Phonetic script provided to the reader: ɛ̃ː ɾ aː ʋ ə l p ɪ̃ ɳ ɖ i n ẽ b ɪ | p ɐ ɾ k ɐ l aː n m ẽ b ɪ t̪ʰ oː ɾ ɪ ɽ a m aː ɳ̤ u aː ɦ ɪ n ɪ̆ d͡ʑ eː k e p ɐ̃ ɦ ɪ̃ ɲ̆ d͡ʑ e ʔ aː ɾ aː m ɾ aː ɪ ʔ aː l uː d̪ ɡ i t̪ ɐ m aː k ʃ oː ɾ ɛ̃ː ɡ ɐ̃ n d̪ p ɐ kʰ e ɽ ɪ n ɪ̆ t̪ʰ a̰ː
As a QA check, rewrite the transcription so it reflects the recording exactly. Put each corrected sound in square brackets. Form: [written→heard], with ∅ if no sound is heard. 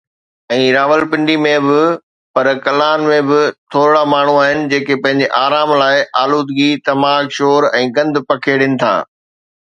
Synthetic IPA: ɛ̃ː ɾ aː ʋ ə l p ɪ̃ ɳ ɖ i [n→m] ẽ b ɪ | p ɐ ɾ k ɐ l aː n m ẽ b ɪ t̪ʰ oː ɾ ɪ ɽ a m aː ɳ̤ u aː ɦ ɪ n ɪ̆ d͡ʑ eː k e p ɐ̃ ɦ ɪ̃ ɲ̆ d͡ʑ e ʔ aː ɾ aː m [ɾ→l] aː ɪ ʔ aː l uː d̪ ɡ i t̪ ɐ m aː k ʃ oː ɾ ɛ̃ː ɡ ɐ̃ n d̪ p ɐ kʰ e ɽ ɪ n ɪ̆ t̪ʰ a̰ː